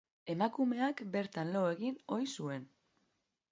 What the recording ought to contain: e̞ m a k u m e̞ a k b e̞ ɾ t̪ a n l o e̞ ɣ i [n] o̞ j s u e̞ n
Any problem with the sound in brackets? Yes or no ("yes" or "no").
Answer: no